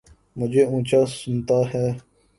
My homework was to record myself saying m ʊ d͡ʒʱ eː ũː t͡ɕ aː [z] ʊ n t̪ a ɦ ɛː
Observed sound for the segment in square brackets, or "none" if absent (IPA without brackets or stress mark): s